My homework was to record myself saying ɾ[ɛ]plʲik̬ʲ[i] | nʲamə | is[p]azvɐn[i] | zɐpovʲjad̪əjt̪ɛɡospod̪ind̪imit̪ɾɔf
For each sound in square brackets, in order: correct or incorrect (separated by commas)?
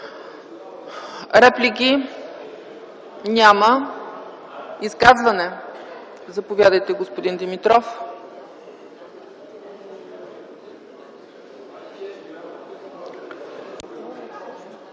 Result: correct, correct, incorrect, incorrect